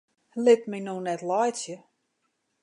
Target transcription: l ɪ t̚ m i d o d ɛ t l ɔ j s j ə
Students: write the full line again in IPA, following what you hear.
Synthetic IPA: l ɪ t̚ m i n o n ɛ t l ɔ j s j ə